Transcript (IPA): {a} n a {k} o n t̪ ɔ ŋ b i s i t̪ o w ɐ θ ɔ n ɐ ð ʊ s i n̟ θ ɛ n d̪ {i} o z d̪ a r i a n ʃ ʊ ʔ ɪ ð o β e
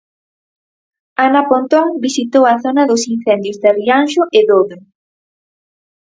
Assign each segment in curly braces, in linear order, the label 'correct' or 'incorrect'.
correct, incorrect, incorrect

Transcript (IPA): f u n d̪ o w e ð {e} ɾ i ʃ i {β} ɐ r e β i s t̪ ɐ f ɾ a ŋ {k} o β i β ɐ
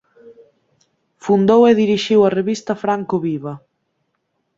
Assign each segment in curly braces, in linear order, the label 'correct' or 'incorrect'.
incorrect, incorrect, correct

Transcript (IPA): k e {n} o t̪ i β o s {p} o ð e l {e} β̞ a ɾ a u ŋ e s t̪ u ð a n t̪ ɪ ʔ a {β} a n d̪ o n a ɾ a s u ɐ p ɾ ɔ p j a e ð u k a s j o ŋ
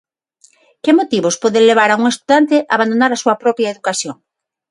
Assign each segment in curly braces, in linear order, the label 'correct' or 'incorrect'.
incorrect, correct, correct, correct

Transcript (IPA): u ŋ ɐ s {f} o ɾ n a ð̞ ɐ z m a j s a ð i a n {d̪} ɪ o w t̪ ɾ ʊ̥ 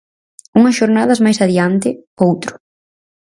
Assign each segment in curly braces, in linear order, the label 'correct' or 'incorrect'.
incorrect, incorrect

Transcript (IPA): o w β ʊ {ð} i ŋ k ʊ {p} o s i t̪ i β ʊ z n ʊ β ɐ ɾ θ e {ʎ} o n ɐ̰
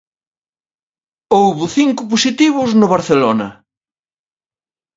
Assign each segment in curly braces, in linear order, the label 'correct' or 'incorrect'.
incorrect, correct, incorrect

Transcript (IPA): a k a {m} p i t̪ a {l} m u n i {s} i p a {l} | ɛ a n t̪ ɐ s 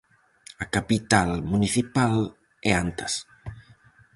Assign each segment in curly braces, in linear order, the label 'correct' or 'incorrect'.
incorrect, correct, incorrect, correct

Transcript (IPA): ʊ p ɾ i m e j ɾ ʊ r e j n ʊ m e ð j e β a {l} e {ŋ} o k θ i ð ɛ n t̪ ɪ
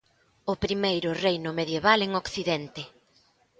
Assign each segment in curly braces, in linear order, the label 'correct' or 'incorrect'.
correct, correct

